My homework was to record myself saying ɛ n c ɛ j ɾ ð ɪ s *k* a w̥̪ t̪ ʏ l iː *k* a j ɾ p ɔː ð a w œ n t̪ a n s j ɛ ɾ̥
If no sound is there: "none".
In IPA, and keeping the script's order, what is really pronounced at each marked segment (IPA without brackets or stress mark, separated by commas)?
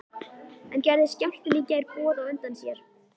c, c